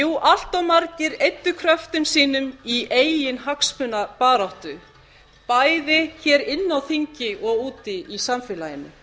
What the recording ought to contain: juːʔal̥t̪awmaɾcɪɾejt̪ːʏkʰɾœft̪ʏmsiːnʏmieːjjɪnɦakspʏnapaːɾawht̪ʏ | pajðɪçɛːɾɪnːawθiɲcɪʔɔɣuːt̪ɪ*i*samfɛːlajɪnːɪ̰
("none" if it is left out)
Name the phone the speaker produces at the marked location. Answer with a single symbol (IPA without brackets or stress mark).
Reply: i